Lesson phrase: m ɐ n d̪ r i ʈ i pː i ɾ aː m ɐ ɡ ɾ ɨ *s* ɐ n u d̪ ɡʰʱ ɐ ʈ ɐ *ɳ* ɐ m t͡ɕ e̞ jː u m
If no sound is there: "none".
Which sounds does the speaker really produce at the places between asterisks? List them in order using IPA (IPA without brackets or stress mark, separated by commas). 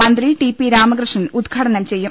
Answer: ʂ, n